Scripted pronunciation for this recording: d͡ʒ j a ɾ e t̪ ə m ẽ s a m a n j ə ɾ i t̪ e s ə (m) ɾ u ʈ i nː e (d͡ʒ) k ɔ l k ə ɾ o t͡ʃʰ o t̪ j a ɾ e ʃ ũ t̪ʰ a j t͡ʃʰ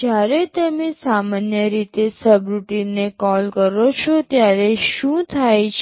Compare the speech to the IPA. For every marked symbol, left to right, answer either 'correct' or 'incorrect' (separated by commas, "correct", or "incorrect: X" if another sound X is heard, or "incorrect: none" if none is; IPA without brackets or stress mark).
incorrect: b, incorrect: none